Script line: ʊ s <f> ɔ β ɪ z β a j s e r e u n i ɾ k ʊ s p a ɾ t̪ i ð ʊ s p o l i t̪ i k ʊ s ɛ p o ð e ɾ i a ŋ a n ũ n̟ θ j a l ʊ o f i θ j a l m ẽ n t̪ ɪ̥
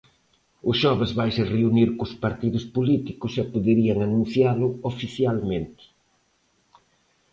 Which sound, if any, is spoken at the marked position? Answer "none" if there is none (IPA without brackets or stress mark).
ʃ